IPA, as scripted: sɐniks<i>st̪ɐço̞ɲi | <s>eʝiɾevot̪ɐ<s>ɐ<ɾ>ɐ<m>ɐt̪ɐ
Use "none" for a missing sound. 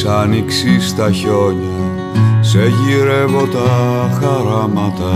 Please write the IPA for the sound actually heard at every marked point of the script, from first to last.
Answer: i, s, x, ɾ, m

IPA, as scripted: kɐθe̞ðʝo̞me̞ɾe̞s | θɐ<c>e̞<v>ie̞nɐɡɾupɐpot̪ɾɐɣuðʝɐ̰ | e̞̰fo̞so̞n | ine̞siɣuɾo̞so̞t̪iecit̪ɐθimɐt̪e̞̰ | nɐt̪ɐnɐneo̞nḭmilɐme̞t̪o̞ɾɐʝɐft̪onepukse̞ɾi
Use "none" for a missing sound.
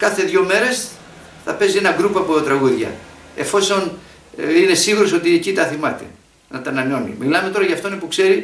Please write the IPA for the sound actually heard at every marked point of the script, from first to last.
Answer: p, z

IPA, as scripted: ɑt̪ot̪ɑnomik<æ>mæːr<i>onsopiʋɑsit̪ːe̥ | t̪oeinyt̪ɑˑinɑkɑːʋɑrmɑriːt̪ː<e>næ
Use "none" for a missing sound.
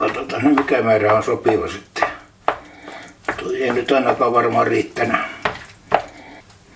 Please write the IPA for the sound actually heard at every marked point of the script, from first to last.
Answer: æ, æ, æ

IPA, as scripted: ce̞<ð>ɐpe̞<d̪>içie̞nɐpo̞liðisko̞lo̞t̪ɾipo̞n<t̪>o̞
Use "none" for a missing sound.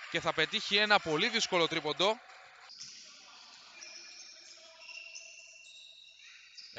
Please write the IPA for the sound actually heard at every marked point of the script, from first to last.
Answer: θ, t̪, d̪

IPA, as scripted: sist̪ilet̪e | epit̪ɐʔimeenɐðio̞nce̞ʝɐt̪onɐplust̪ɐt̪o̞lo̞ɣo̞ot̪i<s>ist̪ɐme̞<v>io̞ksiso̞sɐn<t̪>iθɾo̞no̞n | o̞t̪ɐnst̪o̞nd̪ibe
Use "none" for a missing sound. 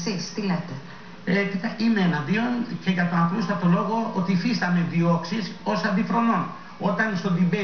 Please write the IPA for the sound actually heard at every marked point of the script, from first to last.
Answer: f, ð, d̪

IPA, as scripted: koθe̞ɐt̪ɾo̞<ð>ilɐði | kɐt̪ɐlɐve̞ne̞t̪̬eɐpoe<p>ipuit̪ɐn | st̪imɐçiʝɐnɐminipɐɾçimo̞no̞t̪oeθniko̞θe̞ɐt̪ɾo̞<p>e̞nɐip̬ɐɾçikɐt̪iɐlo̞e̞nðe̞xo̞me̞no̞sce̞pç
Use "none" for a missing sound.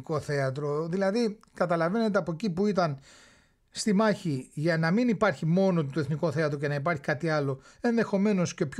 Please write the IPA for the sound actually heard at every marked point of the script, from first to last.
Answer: ð, c, c

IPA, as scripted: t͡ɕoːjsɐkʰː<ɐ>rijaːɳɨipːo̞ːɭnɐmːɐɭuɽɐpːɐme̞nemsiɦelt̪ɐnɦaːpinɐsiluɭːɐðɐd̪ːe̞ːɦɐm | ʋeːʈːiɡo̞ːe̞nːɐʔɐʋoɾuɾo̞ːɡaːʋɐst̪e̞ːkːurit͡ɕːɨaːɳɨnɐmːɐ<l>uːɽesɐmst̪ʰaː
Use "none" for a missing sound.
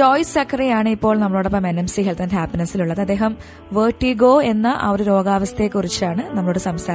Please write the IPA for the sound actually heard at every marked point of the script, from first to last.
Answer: ɐ, ɭ

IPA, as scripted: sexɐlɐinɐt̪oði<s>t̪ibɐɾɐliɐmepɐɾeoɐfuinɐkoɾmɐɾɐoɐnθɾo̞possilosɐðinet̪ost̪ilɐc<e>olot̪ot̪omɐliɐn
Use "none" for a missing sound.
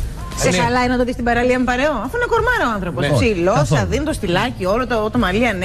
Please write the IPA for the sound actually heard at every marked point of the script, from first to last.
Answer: s, i

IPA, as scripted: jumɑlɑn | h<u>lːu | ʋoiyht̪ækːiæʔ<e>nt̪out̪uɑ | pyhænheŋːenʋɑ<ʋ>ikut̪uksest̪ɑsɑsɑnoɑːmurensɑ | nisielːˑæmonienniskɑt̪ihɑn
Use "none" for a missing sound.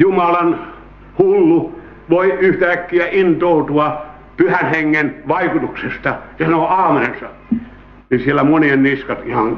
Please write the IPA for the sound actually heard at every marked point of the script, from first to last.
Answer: u, i, none

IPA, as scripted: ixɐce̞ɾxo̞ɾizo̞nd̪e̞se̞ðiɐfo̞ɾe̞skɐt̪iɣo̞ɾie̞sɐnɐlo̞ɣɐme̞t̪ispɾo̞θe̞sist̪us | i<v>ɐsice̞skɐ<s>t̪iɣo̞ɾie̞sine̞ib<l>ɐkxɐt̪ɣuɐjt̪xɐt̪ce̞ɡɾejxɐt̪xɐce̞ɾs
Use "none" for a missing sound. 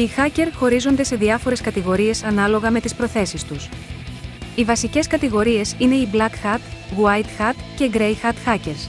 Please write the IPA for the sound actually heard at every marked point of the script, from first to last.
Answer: v, none, l

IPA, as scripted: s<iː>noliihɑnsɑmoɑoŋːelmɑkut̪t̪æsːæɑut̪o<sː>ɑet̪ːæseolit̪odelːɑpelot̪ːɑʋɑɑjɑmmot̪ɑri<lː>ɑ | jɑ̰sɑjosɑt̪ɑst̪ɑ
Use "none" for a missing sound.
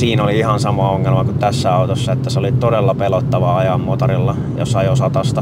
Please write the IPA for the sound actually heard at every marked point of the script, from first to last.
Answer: iː, sː, lː

